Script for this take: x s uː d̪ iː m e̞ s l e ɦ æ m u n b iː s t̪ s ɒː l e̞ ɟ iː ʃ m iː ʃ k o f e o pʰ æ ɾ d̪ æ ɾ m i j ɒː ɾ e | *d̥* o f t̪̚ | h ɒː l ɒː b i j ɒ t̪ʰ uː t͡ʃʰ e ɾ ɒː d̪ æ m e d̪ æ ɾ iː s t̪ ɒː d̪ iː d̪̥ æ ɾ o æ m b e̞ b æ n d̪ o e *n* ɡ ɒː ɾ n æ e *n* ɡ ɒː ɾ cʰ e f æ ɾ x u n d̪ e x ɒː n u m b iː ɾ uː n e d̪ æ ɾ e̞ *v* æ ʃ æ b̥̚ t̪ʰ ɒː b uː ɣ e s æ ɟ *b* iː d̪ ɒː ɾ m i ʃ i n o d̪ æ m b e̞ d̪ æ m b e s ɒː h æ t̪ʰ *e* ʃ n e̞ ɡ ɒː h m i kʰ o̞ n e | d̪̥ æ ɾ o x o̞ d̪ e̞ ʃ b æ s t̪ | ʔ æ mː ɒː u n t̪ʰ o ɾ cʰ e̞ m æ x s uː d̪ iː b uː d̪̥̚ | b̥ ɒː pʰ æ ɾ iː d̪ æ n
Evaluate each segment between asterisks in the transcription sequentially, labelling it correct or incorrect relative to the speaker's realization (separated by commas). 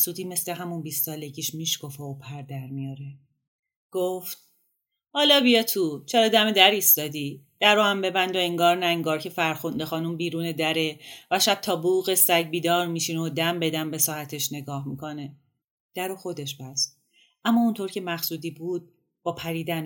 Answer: incorrect, incorrect, incorrect, correct, correct, correct